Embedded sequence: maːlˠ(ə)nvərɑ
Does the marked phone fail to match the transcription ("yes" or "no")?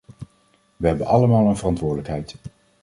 no